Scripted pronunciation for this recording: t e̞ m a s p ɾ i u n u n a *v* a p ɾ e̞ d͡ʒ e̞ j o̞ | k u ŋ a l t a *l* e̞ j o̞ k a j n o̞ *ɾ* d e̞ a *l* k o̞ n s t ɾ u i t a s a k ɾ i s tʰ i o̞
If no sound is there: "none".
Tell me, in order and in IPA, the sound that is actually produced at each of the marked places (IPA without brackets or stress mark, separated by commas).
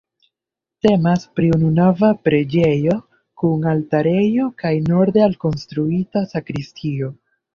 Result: v, ɾ, ɾ, l